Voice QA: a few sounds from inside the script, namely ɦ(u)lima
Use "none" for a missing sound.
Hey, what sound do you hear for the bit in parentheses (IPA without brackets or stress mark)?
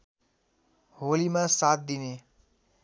o